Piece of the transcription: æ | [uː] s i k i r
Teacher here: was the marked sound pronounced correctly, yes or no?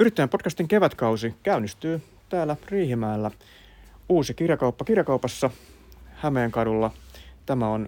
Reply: yes